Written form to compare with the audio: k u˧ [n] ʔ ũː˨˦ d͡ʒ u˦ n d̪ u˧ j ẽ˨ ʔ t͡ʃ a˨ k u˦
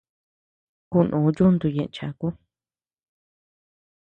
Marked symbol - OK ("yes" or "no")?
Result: yes